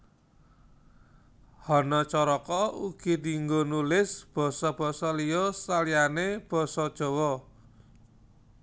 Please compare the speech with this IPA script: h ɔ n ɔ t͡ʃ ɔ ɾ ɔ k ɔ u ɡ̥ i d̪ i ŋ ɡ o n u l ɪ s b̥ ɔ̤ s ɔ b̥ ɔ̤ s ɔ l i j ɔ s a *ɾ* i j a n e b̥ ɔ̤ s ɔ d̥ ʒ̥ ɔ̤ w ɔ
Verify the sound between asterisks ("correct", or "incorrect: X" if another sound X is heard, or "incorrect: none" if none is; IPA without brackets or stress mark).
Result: incorrect: l